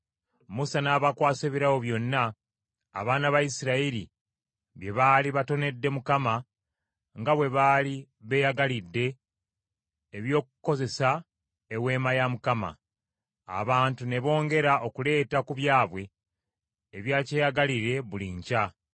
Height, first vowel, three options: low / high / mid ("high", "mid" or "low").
high